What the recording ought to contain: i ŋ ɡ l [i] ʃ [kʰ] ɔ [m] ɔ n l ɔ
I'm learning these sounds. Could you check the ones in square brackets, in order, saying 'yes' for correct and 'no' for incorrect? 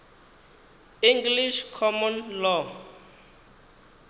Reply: yes, yes, yes

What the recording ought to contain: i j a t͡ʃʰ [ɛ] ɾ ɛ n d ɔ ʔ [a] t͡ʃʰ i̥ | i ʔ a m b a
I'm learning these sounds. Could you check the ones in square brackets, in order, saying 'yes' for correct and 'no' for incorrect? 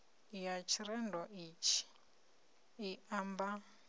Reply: no, no

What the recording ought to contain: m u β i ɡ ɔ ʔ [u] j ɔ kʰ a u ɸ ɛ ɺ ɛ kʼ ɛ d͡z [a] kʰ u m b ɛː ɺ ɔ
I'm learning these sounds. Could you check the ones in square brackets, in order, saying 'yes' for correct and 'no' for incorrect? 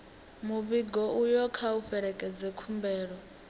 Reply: yes, no

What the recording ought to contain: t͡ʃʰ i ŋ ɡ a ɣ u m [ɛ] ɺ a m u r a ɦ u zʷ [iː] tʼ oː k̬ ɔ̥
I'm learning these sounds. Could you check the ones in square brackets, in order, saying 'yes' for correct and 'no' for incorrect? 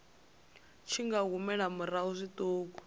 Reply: yes, no

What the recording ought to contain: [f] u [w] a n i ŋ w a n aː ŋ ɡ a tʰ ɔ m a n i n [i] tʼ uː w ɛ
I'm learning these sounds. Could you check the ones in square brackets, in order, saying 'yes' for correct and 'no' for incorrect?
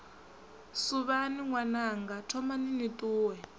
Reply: no, no, yes

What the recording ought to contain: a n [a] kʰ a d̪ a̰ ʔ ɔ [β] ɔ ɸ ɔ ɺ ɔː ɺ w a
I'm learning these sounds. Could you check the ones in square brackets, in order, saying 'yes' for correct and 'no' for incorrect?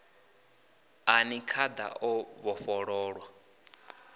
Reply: no, yes

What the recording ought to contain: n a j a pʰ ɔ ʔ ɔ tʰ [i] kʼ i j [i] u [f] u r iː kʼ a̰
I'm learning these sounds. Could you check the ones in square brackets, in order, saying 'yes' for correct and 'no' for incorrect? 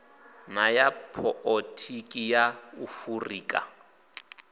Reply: yes, no, yes

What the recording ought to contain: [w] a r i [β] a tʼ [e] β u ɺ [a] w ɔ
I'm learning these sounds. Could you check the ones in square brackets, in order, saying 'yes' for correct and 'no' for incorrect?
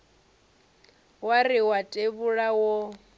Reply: yes, no, yes, yes

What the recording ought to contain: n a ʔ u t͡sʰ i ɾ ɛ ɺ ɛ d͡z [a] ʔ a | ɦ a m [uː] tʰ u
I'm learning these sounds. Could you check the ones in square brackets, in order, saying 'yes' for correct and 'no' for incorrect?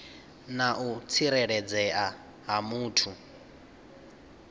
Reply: no, yes

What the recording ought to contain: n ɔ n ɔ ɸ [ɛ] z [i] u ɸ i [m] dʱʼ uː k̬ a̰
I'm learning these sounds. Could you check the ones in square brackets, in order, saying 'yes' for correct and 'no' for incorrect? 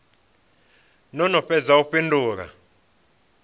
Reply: yes, no, no

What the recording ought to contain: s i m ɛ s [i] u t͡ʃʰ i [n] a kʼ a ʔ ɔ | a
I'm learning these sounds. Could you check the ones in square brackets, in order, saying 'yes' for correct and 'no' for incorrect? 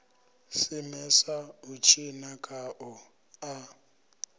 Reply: no, yes

